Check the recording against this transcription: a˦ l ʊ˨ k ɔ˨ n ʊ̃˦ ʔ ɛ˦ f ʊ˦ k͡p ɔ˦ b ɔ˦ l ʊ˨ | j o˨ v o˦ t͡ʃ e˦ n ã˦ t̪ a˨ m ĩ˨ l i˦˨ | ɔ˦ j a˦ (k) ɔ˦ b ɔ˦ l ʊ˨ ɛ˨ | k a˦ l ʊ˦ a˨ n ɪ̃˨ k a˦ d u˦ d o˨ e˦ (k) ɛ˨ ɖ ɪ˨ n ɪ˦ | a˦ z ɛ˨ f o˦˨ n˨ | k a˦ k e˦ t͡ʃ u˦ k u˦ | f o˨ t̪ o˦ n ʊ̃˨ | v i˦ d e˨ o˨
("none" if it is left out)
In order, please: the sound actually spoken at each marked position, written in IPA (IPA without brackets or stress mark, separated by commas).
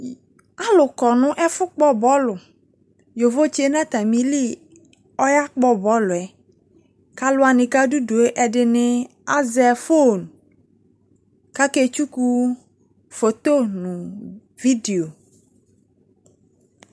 k͡p, ʔ